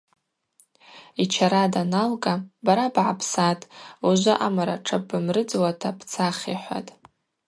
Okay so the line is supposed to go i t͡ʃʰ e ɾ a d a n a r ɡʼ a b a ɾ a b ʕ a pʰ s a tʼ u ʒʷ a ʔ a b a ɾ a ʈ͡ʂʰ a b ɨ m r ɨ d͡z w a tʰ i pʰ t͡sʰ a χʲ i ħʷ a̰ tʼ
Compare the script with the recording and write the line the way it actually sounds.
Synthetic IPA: i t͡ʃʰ a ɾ a d a n a l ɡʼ a b a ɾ a b ʕ a pʰ s a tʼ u ʒʷ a ʔ a m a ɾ a ʈ͡ʂʰ a b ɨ m r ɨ d͡z w a tʰ a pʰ t͡sʰ a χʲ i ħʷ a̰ tʼ